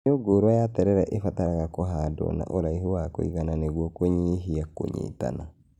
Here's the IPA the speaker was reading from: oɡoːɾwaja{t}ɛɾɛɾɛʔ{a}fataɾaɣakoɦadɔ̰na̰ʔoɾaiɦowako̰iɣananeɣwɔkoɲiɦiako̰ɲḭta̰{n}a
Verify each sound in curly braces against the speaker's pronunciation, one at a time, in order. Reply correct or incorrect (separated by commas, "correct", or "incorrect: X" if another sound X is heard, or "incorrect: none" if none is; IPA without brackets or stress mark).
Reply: correct, incorrect: e, correct